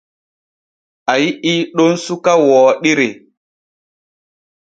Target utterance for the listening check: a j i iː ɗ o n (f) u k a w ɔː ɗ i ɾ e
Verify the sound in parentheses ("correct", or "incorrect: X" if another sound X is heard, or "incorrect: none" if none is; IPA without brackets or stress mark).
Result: incorrect: s